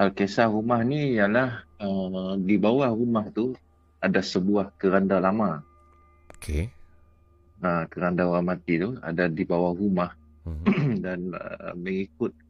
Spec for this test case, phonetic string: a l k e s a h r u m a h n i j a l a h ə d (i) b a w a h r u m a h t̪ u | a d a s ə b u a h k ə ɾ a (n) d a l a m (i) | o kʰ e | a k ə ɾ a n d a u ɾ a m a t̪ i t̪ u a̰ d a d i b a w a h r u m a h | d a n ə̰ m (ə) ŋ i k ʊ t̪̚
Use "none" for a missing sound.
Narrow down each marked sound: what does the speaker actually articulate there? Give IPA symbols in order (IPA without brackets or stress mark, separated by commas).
i, n, a, ə